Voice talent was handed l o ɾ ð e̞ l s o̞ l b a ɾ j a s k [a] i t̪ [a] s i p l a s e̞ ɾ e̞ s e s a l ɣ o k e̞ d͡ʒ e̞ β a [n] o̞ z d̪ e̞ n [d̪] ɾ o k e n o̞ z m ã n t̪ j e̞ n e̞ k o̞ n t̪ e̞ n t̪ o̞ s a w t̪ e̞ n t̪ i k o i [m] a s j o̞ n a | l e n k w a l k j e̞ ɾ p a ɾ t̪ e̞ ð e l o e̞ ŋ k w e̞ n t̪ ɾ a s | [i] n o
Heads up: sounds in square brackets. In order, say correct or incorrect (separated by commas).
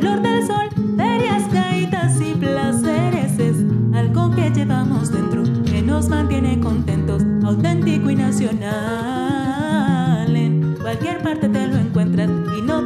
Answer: correct, correct, incorrect, incorrect, incorrect, correct